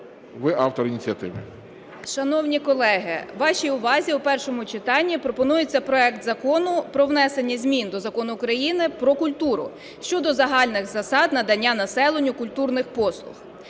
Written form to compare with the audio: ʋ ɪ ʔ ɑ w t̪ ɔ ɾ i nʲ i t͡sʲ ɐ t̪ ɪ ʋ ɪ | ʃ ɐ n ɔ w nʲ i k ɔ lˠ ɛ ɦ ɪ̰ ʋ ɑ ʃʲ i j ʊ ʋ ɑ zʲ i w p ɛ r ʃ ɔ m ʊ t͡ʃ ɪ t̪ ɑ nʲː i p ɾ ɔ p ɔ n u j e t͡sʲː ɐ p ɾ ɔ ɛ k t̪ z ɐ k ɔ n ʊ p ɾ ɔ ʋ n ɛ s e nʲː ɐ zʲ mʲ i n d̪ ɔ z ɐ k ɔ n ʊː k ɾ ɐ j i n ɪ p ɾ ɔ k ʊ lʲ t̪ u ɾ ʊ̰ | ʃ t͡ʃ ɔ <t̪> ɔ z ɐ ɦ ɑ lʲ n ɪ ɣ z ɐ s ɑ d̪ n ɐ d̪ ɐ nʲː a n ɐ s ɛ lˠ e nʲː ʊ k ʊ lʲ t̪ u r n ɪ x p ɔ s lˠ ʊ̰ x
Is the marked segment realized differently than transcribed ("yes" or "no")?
yes